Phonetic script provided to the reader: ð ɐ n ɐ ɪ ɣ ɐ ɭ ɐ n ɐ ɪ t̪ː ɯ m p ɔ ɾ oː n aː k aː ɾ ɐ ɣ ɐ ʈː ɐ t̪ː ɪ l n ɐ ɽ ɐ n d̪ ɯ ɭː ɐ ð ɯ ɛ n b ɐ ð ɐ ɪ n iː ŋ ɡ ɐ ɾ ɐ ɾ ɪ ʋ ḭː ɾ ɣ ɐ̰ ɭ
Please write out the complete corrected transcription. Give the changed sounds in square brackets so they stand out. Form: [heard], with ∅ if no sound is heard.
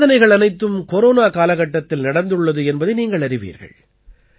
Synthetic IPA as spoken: ð ɐ n ɐ ɪ ɣ ɐ ɭ ɐ n ɐ ɪ t̪ː ɯ m [k] ɔ ɾ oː n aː k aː [l] ɐ ɣ ɐ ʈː ɐ t̪ː ɪ l n ɐ ɽ ɐ n d̪ ɯ ɭː ɐ ð ɯ ɛ n b ɐ ð ɐ ɪ n iː ŋ ɡ ɐ [ɭ] ɐ ɾ ɪ ʋ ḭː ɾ ɣ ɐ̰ ɭ